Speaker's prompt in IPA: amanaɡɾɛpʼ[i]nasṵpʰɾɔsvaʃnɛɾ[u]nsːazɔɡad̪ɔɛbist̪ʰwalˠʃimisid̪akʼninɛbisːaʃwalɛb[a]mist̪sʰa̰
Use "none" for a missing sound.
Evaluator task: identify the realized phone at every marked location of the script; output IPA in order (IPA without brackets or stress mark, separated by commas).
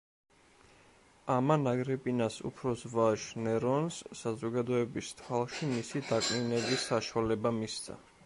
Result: i, ɔ, a